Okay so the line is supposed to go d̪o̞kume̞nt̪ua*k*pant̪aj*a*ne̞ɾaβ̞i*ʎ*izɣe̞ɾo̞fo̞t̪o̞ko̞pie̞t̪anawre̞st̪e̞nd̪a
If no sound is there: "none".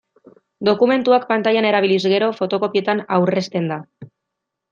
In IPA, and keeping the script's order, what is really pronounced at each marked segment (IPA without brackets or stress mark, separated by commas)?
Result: k, a, l